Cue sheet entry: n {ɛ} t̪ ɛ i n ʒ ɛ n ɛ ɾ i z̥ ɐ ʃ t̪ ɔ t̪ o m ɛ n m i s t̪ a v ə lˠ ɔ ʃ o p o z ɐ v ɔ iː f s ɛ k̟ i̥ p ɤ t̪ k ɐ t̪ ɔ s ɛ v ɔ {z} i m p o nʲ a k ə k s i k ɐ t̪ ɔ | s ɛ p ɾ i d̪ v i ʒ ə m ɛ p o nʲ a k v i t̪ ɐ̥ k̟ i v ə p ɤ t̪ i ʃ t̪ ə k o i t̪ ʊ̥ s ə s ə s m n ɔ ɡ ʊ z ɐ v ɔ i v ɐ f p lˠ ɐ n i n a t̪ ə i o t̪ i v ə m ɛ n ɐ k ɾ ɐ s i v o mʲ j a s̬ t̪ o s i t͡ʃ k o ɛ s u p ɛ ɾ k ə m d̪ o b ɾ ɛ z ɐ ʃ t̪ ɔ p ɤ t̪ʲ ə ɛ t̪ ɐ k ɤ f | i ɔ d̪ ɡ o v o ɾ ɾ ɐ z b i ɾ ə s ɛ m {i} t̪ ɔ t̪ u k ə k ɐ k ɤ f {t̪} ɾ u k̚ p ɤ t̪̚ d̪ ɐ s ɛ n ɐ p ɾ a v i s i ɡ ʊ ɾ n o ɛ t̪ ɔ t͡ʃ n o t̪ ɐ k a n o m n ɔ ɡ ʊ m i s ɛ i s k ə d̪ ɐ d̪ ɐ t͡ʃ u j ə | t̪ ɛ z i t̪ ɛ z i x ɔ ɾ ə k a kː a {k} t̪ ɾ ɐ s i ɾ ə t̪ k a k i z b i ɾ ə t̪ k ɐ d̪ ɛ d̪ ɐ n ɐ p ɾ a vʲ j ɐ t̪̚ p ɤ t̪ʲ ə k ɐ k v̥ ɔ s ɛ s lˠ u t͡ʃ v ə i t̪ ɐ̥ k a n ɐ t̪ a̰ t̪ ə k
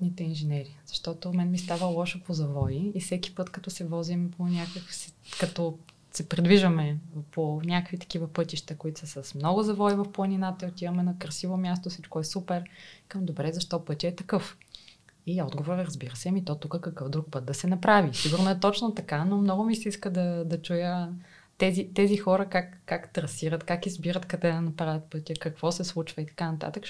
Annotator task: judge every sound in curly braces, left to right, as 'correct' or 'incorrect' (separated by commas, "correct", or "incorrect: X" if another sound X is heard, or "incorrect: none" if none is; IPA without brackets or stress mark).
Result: incorrect: i, correct, correct, incorrect: d̪, correct